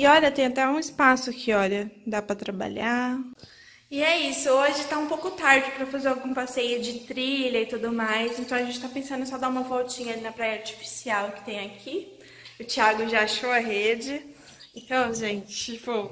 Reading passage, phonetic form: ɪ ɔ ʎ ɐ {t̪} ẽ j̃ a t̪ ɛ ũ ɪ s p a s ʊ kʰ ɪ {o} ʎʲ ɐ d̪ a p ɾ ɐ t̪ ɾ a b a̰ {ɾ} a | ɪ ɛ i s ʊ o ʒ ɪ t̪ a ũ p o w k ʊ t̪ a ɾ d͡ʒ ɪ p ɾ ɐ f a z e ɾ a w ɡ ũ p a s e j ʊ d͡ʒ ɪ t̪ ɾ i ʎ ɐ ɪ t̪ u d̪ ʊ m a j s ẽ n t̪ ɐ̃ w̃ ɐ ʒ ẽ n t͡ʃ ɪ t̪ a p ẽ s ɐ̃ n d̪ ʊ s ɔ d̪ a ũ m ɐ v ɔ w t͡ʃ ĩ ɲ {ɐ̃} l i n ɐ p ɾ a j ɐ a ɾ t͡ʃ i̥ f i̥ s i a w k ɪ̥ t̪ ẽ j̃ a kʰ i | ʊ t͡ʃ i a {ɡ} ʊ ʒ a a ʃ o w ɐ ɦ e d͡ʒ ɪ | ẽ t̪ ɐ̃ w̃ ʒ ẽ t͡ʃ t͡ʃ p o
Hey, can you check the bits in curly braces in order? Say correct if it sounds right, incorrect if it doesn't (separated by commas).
correct, incorrect, incorrect, incorrect, correct